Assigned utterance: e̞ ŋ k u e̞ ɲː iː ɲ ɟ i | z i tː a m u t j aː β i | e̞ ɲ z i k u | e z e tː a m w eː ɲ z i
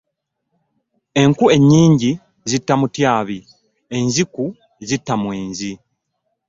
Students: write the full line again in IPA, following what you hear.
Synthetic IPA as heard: e̞ ŋ k u e̞ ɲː iː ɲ ɟ i | z i tː a m u t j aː β i | e̞ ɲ z i k u | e z i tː a m w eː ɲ z i